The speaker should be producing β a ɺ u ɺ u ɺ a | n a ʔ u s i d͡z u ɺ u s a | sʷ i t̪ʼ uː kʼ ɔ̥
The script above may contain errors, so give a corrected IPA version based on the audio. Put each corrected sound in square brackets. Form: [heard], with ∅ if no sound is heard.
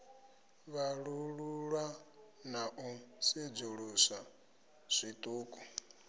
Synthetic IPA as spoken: β a ɺ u ɺ u ɺ a | n a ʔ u s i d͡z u ɺ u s a | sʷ i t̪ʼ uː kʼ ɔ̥